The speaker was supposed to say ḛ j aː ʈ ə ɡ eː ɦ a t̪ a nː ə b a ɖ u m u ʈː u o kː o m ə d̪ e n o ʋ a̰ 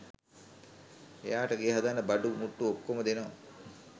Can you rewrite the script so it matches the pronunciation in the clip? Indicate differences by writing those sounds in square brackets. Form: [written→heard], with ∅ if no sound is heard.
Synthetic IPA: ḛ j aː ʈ ə ɡ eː ɦ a [t̪→d̪] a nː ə b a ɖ u m u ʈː u o kː o m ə d̪ e n o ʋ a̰